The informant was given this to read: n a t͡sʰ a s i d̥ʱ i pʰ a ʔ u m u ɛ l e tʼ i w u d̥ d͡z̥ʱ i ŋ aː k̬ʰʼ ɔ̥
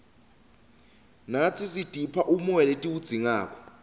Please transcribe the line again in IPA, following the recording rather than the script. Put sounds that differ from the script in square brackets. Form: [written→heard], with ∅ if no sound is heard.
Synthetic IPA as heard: n a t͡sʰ [a→i] s i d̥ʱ i pʰ a ʔ u m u ɛ l e tʼ i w u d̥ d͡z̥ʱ i ŋ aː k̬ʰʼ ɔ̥